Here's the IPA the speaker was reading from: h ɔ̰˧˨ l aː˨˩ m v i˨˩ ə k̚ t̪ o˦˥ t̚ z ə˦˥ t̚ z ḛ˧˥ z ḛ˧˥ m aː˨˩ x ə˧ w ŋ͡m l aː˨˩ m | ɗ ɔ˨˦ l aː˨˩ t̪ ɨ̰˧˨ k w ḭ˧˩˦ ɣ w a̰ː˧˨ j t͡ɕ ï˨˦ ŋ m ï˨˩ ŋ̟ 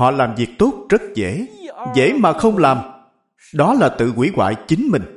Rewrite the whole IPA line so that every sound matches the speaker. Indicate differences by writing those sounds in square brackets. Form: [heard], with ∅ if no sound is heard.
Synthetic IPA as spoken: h ɔ̰˧˨ l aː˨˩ m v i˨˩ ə k̚ t̪ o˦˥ t̚ z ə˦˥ t̚ z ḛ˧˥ z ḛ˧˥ m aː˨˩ x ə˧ w ŋ͡m l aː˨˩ m | ɗ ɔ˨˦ l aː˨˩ t̪ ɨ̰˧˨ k w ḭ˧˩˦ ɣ w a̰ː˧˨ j t͡ɕ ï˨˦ ŋ m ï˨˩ ŋ̟